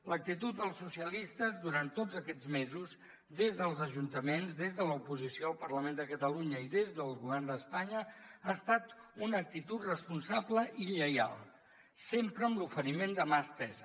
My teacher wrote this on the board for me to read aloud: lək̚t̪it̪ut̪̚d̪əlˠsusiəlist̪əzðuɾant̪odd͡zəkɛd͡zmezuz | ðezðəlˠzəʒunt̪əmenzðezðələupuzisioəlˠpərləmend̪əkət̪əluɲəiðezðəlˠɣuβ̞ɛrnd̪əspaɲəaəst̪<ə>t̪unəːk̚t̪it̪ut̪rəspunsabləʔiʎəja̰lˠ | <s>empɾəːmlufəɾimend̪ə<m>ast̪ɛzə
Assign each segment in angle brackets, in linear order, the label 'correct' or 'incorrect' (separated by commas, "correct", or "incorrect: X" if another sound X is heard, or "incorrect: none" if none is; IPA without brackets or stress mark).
incorrect: a, correct, correct